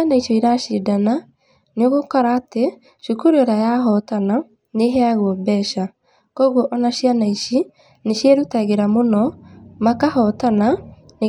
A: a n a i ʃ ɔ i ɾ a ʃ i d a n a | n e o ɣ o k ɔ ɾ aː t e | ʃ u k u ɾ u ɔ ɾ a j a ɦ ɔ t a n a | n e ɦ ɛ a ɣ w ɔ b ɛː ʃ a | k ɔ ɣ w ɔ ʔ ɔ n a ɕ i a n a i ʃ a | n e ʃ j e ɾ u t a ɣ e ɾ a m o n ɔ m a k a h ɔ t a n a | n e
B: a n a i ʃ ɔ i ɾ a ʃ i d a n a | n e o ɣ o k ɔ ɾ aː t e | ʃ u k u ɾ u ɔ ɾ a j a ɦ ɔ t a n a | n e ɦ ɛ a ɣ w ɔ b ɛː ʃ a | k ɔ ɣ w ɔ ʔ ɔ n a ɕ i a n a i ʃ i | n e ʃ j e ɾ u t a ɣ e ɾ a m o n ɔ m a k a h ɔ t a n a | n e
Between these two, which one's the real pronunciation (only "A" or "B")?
B